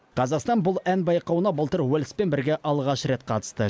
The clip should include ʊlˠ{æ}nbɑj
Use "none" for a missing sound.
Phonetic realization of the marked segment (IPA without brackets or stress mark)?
æ